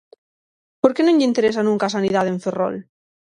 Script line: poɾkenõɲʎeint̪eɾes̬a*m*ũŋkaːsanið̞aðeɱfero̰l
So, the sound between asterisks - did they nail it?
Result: no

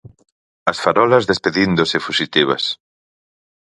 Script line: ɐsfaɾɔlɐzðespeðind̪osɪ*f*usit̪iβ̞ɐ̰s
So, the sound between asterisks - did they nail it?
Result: yes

